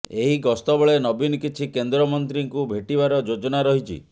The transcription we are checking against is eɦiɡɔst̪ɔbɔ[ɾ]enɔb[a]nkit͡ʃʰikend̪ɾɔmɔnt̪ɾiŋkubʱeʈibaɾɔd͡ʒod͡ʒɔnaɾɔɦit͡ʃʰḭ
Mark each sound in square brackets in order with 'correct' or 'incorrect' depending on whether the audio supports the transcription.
incorrect: ɭ, incorrect: i

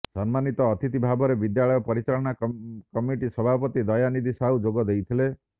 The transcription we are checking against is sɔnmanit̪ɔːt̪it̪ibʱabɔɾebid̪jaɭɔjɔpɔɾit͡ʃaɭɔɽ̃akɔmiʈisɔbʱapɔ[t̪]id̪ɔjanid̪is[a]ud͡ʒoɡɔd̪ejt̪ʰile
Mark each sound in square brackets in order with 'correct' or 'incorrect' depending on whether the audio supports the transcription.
correct, correct

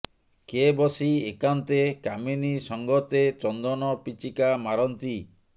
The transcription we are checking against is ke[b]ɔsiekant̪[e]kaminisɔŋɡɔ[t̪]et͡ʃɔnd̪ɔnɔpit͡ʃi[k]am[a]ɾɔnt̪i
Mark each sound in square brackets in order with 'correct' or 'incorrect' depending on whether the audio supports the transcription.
correct, correct, correct, correct, correct

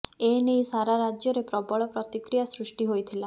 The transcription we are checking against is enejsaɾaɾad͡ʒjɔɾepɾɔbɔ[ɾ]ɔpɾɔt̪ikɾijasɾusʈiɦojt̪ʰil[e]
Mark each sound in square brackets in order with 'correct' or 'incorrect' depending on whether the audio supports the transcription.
incorrect: ɭ, incorrect: a

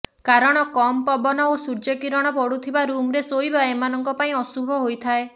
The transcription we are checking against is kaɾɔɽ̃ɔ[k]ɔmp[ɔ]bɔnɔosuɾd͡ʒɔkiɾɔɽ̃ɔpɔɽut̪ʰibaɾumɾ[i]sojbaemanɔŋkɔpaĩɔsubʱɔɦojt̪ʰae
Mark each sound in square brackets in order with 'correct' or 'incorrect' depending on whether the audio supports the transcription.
correct, correct, incorrect: e

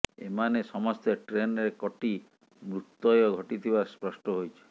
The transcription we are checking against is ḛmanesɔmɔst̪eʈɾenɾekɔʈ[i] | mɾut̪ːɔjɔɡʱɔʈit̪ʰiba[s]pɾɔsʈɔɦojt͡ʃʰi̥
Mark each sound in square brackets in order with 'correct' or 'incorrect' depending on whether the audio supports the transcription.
correct, correct

